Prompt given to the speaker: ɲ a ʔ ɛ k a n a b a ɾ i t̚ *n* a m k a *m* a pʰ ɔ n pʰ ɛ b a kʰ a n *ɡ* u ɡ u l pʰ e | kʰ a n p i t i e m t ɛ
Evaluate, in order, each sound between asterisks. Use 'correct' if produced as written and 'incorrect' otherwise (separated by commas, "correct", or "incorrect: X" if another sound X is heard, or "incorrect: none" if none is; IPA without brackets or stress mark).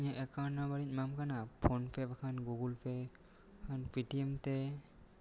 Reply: incorrect: m, incorrect: n, correct